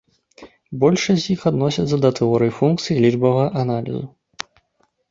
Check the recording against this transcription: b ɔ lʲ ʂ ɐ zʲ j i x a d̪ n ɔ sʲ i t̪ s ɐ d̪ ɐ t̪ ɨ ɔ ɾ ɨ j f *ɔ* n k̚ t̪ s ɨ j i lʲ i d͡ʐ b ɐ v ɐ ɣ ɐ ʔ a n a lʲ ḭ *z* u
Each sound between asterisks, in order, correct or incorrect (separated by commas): incorrect, correct